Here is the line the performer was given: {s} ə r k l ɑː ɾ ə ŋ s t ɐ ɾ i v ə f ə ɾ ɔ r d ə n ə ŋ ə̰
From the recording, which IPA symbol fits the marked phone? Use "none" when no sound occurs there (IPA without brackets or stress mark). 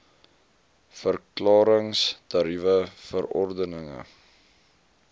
f